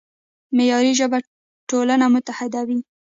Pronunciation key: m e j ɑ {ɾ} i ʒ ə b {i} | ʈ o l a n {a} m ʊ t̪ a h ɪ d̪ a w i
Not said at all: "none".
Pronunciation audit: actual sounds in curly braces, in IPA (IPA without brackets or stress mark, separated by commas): ɾ, a, a